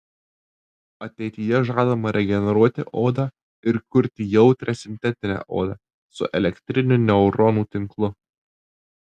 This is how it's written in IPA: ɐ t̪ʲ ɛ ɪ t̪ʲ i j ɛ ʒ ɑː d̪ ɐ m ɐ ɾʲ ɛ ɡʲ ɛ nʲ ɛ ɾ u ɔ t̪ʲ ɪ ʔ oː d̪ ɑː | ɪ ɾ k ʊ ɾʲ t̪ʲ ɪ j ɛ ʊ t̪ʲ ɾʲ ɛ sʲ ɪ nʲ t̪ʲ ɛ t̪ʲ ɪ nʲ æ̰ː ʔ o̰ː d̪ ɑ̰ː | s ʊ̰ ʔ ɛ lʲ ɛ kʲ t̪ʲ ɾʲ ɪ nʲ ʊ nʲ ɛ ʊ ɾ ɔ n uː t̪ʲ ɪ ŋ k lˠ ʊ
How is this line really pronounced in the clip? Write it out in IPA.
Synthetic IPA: ɐ t̪ʲ ɛ ɪ t̪ʲ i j ɛ ʒ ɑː d̪ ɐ m ɐ ɾʲ ɛ ɡʲ ɛ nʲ ɛ ɾ u ɔ t̪ʲ ɪ ʔ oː d̪ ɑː | ɪ ɾ k ʊ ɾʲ t̪ʲ ɪ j ɛ ʊ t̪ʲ ɾʲ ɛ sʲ ɪ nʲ t̪ʲ ɛ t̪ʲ ɪ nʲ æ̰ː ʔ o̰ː d̪ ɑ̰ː | s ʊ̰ ʔ ɛ lʲ ɛ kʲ t̪ʲ ɾʲ ɪ nʲ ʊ nʲ ɛ ʊ ɾ ɔ n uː t̪ʲ ɪ ŋ k lˠ ʊ